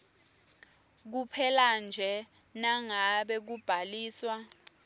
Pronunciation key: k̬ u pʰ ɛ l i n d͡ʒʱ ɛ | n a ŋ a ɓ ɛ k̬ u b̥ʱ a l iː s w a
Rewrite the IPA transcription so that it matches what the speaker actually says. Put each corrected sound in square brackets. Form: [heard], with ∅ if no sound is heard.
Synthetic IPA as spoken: k̬ u pʰ ɛ l [a] n d͡ʒʱ ɛ | n a ŋ a ɓ ɛ k̬ u b̥ʱ a l iː s w a